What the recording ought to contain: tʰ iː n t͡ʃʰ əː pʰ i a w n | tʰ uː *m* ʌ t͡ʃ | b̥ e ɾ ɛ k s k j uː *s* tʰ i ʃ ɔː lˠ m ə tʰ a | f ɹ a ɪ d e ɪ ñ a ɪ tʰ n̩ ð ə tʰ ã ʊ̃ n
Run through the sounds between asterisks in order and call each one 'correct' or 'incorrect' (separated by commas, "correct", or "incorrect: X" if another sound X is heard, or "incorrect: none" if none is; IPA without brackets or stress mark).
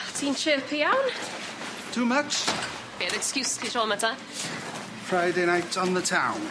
correct, correct